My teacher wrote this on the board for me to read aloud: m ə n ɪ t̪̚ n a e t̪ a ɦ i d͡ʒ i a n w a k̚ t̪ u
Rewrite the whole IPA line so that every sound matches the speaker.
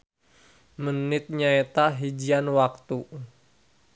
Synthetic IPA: m ə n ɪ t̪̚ ɲ a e t̪ a ɦ i d͡ʒ i a n w a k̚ t̪ u